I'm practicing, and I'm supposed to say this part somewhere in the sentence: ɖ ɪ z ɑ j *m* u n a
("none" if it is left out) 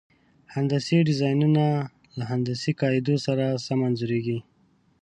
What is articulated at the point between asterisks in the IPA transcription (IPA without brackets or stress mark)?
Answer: n